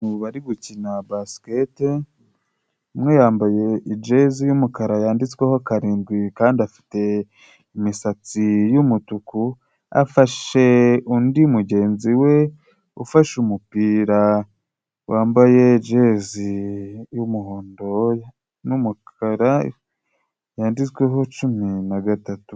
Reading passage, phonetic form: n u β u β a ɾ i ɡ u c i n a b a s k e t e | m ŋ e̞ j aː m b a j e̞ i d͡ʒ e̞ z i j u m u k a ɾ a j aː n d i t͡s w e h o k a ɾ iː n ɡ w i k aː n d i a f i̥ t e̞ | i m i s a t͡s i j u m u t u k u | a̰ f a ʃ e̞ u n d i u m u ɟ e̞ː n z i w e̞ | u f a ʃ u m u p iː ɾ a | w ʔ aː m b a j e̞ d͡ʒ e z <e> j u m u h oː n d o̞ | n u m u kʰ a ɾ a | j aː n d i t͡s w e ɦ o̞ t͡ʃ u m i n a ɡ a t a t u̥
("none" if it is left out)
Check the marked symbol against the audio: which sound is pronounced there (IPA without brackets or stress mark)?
i